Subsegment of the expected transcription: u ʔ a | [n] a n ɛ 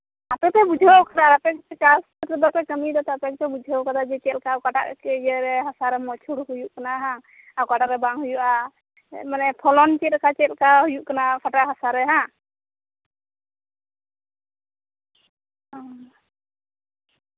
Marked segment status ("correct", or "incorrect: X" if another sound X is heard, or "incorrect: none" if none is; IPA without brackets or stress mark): incorrect: m